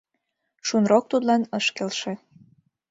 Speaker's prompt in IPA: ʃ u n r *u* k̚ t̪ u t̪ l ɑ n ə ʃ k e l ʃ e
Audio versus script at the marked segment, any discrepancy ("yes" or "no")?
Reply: yes